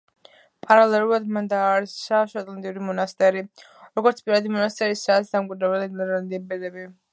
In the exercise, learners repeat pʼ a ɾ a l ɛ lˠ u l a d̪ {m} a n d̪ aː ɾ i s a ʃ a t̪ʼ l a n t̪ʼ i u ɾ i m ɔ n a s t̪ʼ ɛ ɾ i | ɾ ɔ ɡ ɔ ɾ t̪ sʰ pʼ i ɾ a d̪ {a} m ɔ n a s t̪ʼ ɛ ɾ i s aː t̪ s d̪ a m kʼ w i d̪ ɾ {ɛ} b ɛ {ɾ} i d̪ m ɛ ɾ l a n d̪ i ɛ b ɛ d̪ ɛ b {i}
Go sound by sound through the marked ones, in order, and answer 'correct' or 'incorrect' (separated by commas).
correct, incorrect, correct, incorrect, correct